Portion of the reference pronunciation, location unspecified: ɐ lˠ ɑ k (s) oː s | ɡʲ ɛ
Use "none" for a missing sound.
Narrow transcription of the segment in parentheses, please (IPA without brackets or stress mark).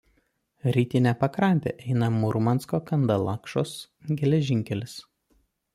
ʃ